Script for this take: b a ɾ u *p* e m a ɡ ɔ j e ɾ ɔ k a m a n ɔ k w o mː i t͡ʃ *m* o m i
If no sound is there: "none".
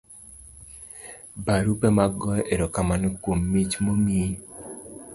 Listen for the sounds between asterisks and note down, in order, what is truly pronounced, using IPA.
p, m

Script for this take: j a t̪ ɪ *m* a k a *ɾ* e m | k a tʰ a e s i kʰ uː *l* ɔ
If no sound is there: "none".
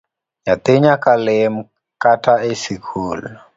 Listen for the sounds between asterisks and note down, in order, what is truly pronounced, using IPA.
ɲ, l, l

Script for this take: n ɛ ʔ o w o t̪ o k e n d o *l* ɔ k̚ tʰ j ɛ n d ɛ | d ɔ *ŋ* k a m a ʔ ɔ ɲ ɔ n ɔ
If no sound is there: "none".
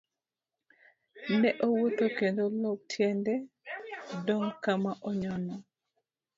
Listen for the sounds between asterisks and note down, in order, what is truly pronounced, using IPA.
l, ŋ

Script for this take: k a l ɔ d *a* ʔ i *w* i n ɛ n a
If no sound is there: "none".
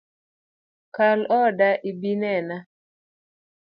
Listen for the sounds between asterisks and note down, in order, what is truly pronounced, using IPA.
a, b

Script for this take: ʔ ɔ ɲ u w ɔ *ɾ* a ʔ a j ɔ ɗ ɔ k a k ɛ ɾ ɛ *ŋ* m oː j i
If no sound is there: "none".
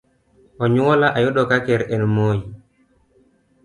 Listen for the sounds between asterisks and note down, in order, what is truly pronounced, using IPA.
l, n

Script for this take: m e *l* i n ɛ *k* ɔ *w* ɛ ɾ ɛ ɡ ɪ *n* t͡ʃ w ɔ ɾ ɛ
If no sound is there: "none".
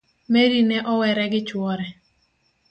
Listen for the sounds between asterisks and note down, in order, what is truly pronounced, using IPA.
ɾ, ʔ, w, none

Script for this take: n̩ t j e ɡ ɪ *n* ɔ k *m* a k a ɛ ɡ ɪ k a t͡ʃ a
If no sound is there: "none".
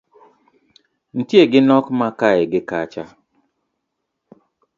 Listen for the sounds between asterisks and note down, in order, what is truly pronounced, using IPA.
n, m

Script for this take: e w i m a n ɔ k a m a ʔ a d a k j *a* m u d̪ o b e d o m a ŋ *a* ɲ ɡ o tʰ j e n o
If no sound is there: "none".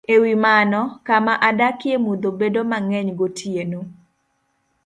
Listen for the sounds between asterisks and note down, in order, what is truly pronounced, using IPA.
e, ɛ

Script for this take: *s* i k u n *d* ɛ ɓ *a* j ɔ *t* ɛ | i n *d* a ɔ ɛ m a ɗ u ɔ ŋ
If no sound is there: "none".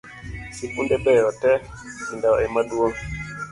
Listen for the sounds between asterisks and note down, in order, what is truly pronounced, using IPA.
s, d, ɛ, t, d

